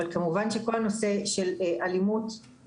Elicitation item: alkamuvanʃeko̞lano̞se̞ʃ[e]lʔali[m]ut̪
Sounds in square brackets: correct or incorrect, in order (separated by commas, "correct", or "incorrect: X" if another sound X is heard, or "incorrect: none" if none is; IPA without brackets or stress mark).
correct, correct